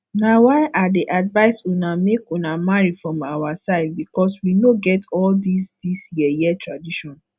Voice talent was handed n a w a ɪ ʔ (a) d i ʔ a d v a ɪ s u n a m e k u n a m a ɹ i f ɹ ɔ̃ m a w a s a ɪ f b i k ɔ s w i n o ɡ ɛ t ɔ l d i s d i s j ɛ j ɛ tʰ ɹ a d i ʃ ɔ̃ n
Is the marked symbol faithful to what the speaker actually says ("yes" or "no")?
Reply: yes